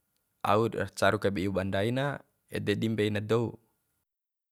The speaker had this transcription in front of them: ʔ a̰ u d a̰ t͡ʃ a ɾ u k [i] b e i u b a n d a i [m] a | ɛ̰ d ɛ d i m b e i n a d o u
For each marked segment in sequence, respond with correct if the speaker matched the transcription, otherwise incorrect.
incorrect, incorrect

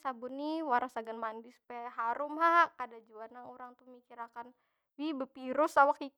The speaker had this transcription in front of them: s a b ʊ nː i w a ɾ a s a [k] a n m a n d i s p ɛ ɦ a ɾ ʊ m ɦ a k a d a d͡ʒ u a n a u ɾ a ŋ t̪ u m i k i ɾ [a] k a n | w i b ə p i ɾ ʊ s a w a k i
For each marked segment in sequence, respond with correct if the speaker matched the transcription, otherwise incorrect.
incorrect, correct

